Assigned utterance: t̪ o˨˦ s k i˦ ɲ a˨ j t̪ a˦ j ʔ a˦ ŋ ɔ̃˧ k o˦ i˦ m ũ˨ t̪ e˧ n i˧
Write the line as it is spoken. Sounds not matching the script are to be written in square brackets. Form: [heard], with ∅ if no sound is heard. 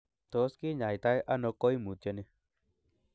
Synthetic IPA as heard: t̪ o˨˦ s k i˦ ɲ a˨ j t̪ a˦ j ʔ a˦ [n] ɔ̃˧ k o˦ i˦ m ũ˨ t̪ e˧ n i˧